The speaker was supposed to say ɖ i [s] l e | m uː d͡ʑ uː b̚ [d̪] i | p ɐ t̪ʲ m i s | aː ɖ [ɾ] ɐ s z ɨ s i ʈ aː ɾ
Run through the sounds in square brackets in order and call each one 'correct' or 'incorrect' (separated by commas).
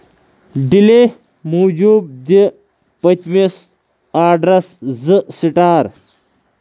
incorrect, correct, correct